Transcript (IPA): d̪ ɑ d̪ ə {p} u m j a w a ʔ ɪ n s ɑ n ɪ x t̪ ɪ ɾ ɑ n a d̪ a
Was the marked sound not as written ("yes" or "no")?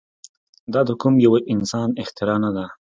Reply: yes